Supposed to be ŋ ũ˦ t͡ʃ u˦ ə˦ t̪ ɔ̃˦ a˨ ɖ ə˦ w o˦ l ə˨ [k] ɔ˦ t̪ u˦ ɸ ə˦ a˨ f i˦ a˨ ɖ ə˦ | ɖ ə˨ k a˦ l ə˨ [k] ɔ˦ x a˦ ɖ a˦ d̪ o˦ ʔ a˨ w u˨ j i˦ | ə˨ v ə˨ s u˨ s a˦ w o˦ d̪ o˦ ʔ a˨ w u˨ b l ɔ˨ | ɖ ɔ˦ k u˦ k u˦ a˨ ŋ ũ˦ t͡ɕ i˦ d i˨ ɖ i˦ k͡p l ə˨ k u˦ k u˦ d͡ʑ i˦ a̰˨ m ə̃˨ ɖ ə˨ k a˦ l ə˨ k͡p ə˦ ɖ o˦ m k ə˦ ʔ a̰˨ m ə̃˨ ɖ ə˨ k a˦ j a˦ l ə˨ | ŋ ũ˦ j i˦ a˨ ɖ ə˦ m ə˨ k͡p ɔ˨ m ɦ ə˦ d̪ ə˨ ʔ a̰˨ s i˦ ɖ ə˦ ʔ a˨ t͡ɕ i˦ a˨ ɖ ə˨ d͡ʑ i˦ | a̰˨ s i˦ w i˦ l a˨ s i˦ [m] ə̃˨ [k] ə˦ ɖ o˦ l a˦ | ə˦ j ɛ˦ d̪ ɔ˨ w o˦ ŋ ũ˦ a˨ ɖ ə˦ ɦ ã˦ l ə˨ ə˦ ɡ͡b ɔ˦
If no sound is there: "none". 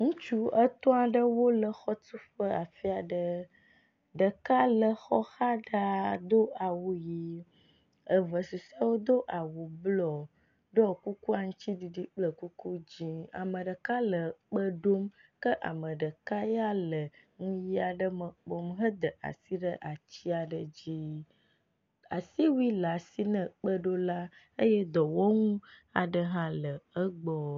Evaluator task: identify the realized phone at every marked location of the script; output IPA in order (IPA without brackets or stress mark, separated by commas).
x, x, n, k͡p